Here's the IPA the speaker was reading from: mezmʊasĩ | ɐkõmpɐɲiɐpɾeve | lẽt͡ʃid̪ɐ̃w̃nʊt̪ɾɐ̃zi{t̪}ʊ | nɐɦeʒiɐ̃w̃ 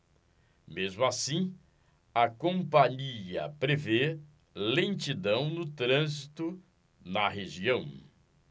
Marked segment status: correct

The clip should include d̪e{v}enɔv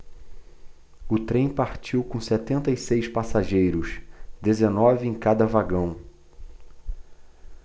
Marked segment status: incorrect: z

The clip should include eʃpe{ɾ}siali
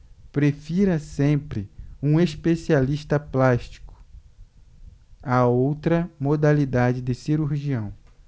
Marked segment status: incorrect: none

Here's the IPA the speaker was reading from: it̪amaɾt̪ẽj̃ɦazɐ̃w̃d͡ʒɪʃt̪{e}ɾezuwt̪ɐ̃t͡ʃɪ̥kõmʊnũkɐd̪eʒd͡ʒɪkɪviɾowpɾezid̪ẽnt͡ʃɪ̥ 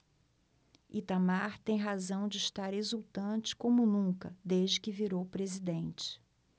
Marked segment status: incorrect: a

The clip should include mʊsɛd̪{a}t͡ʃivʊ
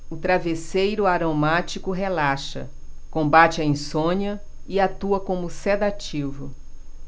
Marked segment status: correct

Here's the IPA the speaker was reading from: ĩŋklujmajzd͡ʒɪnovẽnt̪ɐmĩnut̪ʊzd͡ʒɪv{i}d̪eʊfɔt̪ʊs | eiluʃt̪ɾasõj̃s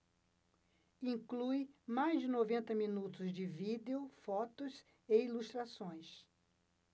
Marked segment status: correct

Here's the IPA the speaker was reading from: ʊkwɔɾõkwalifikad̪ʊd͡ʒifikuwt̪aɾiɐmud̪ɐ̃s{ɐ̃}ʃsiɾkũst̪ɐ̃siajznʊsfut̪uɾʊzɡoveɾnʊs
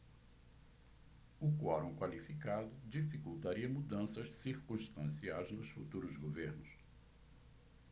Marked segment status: incorrect: ɐ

